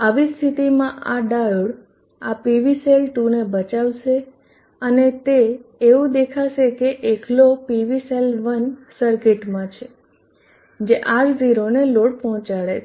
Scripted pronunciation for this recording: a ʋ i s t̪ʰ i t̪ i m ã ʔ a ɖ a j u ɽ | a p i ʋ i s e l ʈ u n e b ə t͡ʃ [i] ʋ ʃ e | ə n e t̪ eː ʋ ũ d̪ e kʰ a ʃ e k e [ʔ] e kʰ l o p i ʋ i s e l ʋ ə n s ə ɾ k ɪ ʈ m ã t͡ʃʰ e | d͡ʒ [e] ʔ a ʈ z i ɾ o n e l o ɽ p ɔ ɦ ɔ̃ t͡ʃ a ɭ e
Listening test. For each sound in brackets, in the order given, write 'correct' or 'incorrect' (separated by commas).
incorrect, correct, correct